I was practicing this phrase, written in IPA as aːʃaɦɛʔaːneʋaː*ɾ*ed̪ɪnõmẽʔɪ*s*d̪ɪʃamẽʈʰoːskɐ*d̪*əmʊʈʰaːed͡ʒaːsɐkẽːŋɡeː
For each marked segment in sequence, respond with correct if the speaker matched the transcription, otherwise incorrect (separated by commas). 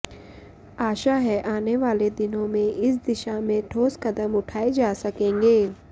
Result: incorrect, correct, correct